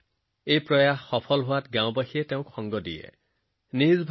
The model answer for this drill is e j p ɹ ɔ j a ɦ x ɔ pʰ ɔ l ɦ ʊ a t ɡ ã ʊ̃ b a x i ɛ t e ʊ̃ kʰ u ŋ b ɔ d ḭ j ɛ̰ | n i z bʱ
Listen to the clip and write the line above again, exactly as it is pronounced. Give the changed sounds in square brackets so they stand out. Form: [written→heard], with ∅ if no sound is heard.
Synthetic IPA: e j p ɹ ɔ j a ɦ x ɔ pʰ ɔ l ɦ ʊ a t ɡ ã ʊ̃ b a x i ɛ t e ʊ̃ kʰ [u→ɔ] ŋ [b→ɡ] ɔ d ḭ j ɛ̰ | n i z bʱ